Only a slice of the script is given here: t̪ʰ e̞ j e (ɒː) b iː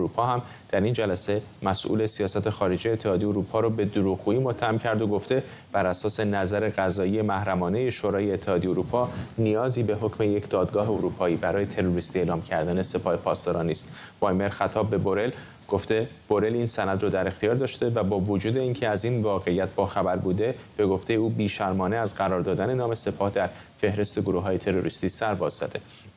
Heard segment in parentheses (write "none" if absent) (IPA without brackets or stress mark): uː